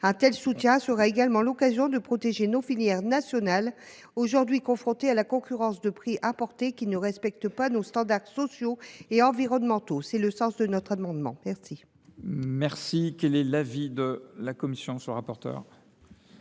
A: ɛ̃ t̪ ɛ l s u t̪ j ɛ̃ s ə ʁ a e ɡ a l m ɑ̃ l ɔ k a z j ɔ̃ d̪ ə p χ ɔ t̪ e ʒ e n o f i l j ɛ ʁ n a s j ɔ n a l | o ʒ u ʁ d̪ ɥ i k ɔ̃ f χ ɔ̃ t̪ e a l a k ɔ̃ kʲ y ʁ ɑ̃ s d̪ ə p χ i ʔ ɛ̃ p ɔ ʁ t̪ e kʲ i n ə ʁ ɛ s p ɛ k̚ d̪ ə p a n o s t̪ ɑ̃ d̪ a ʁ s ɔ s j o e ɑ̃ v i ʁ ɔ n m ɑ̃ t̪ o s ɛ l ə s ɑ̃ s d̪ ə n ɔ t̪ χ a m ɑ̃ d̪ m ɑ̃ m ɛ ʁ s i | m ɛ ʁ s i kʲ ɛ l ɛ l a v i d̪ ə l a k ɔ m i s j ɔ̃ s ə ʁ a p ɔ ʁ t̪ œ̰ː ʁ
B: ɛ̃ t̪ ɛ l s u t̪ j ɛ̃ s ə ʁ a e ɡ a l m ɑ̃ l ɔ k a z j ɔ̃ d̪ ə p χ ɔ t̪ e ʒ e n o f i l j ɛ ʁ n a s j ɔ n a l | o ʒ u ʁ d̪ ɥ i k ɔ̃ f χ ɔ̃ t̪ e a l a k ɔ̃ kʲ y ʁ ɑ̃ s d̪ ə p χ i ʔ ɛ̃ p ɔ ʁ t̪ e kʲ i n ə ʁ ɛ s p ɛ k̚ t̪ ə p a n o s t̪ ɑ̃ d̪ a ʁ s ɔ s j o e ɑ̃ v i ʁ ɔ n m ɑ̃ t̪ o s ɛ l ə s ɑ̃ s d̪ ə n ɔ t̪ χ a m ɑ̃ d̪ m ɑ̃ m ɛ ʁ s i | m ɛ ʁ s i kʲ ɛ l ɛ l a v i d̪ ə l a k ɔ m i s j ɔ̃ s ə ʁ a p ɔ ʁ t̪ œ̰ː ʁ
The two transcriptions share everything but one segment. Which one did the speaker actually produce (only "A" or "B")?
B